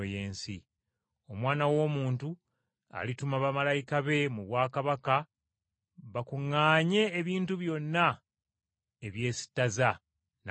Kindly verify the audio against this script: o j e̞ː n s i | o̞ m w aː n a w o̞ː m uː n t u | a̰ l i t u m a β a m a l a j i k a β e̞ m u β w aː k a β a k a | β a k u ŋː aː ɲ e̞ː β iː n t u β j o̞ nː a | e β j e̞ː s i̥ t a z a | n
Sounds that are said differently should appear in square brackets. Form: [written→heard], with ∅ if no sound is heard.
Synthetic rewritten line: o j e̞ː n s i | o̞ m w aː n a w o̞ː m uː n t u | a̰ l i t u m a β a m a l a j i k a β e̞ m u β w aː k a β a k a | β a k u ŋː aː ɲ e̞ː β iː n t u β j o̞ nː a | e β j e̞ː s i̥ t a z a | n